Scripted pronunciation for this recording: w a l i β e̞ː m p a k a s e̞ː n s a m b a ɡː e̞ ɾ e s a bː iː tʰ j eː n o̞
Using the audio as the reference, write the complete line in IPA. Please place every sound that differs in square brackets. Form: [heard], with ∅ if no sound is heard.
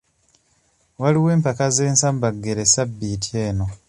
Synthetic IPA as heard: w a l i [w] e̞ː m p a k a [z] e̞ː n s a m b a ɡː e̞ ɾ e s a bː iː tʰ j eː n o̞